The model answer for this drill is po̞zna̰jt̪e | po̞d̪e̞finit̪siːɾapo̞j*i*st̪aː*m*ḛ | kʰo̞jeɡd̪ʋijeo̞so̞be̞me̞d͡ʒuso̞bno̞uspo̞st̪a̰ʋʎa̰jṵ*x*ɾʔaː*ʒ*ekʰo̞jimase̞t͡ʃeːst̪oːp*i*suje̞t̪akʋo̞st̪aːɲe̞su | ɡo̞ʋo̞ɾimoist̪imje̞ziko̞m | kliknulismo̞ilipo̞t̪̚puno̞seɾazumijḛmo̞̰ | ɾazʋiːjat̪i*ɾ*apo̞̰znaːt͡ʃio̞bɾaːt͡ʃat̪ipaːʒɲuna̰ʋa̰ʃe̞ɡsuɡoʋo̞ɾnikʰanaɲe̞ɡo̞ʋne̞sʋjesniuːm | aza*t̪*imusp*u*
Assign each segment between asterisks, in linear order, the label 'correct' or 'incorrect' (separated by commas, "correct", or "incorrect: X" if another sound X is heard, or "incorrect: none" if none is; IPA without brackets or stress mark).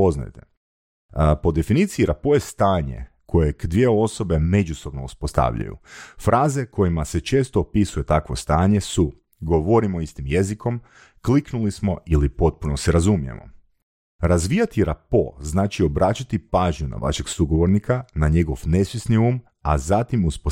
incorrect: e, incorrect: ɲ, incorrect: f, incorrect: z, correct, correct, correct, incorrect: o